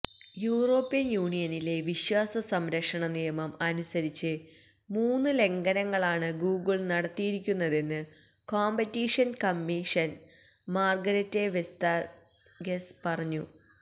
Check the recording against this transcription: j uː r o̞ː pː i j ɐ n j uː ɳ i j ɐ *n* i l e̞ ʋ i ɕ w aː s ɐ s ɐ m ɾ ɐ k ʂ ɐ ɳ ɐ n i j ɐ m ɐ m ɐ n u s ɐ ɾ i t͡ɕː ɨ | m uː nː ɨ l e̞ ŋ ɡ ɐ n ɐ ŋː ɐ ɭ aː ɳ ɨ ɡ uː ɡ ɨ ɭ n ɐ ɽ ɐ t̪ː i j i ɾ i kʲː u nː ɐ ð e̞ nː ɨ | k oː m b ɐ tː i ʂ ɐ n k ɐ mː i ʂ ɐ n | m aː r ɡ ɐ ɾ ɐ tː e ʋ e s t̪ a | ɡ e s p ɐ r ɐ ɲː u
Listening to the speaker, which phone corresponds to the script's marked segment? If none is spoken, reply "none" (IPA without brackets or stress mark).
n